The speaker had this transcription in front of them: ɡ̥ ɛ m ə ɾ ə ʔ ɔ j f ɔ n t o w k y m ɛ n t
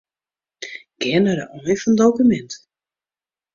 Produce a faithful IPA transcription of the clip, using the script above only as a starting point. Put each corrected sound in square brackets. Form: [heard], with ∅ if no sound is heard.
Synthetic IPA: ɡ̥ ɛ [n] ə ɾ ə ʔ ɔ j f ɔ n [d] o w k y m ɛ n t